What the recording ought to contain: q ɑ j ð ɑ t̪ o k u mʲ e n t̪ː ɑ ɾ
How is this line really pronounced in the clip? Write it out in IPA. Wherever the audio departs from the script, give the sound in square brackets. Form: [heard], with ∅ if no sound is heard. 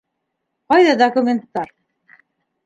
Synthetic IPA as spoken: q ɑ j ð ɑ [d̪] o k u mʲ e n t̪ː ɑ ɾ